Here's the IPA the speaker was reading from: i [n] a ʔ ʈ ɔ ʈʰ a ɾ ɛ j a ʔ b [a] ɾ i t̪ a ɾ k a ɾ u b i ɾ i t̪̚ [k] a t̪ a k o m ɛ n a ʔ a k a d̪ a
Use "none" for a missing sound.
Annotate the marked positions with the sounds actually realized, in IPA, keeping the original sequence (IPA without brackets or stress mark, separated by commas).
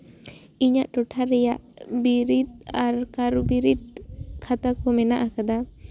ɲ, i, kʰ